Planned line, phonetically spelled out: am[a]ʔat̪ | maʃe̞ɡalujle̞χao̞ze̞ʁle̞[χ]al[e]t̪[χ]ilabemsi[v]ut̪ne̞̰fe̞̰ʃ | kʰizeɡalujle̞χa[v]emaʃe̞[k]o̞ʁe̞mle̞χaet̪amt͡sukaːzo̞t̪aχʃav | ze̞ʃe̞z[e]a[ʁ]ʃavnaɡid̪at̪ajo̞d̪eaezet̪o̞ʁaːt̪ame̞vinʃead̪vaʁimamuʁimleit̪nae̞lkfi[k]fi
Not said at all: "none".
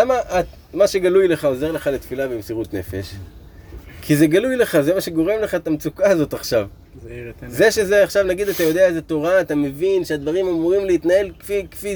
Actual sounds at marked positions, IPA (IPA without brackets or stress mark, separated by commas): a, χ, e, f, ʁ, z, ɡ, e, χ, k